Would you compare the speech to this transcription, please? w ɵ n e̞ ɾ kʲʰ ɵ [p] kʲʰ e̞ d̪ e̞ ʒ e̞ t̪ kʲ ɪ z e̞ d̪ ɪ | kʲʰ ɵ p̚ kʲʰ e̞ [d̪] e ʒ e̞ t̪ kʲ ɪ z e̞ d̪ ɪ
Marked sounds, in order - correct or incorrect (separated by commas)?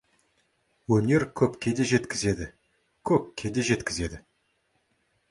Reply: correct, correct